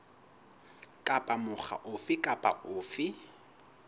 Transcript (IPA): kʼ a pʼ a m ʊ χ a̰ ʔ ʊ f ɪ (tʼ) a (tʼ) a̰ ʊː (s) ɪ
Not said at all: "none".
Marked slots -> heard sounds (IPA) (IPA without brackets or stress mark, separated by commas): kʼ, pʼ, f